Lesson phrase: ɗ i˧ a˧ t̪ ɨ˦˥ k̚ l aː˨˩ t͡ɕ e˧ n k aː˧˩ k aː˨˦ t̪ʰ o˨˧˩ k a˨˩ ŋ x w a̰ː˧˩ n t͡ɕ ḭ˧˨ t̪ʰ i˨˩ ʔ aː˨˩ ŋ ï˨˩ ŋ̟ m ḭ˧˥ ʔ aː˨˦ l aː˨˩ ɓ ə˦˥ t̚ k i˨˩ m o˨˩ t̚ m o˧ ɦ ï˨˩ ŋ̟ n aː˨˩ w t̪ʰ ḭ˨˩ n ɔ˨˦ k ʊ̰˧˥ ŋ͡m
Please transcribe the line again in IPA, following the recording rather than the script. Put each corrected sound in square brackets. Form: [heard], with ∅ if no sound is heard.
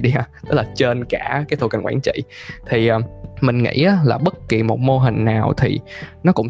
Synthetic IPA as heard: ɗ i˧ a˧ t̪ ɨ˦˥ k̚ l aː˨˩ t͡ɕ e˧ n k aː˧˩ k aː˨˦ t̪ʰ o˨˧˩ k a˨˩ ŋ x w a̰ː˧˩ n t͡ɕ ḭ˧˨ t̪ʰ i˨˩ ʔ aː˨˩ [m] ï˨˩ ŋ̟ [ŋ] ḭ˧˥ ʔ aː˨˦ l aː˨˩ ɓ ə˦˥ t̚ k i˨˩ m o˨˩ t̚ m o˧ ɦ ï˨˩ ŋ̟ n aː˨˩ w t̪ʰ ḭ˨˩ n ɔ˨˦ k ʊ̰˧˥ ŋ͡m